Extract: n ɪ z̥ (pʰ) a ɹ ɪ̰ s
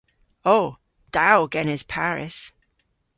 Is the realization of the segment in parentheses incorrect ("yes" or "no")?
no